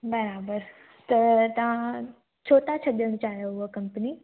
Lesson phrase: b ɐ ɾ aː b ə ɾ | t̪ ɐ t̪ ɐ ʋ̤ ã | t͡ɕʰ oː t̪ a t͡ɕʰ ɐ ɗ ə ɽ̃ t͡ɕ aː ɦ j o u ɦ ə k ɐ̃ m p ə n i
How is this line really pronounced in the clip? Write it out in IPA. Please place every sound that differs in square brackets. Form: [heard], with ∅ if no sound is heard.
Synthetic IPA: b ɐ ɾ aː b ə ɾ | t̪ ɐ t̪ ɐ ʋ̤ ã | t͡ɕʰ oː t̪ a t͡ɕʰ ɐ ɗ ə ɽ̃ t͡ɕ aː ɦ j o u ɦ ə k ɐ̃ m p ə n i